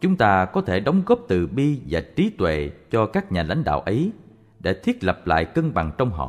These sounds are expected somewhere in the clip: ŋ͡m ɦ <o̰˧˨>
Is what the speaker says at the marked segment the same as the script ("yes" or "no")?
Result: no